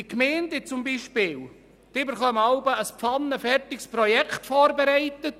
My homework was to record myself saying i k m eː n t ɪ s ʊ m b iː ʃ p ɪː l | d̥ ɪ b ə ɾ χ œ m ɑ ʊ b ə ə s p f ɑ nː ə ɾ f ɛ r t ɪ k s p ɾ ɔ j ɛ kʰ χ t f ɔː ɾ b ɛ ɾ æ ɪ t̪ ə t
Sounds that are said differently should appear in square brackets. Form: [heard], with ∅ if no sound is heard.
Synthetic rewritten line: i k m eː n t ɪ [t͡s] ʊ m b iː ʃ p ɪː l | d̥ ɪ b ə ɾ χ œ m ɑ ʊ b ə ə s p f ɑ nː ə [∅] f ɛ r t ɪ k s p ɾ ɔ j ɛ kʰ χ t f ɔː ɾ b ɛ ɾ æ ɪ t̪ ə t